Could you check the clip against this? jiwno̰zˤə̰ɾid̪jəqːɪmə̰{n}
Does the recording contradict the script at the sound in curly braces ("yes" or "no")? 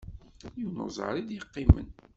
no